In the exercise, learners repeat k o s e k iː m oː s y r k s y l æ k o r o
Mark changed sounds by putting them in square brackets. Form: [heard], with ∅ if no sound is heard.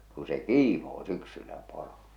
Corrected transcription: k [u] s e k iː m oː s y [∅] k s y [lː] æ [p] o r o